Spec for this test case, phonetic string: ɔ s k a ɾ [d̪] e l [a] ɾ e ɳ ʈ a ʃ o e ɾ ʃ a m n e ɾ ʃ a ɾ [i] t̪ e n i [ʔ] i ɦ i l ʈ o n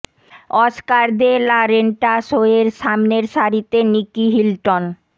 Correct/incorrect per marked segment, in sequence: correct, correct, correct, incorrect

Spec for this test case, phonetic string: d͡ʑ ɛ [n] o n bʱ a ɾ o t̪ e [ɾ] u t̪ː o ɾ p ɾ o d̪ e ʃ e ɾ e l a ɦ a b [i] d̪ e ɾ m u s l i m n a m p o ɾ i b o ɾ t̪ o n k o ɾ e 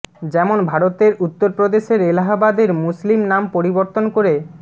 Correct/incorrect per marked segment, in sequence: incorrect, correct, incorrect

